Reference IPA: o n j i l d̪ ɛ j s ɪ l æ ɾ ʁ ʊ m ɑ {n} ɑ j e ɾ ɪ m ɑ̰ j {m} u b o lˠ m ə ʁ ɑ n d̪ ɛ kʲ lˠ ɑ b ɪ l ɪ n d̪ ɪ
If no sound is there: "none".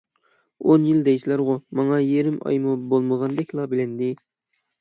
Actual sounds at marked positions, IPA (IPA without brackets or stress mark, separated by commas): ŋ, m